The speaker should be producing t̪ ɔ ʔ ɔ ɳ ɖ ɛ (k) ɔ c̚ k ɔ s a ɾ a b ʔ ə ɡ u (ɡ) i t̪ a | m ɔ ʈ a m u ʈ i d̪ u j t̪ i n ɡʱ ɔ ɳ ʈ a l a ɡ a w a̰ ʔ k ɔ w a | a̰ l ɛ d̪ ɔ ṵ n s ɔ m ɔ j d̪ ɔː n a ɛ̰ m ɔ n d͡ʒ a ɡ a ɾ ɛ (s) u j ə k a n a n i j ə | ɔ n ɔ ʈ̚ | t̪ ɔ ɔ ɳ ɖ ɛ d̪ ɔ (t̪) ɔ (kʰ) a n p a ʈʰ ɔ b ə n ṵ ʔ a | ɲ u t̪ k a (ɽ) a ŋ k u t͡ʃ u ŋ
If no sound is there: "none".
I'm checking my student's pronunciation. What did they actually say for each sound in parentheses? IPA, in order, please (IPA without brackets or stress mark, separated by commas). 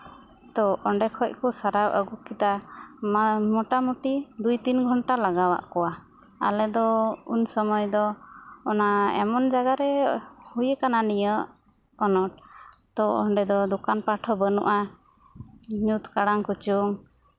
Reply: kʰ, k, h, d̪, k, ɽ